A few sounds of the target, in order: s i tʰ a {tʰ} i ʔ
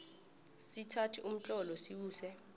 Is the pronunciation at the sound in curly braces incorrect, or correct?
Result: correct